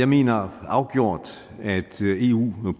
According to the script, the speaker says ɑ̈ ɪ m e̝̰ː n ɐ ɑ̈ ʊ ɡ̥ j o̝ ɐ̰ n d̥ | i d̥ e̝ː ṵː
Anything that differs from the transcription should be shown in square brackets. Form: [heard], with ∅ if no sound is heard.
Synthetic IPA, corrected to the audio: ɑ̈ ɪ m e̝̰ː n ɐ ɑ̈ ʊ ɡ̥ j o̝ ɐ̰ [∅] d̥ | [æ] d̥ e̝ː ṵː